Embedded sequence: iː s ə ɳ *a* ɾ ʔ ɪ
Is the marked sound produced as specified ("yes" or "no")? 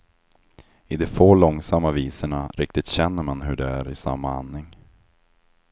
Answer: yes